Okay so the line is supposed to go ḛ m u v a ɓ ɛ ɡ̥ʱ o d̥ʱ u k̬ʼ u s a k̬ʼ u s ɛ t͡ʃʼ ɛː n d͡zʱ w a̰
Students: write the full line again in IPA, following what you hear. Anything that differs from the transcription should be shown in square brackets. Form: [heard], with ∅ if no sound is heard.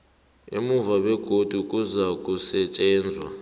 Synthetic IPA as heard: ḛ m u v a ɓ ɛ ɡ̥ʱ o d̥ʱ u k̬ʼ u [z] a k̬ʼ u s ɛ t͡ʃʼ ɛː n d͡zʱ w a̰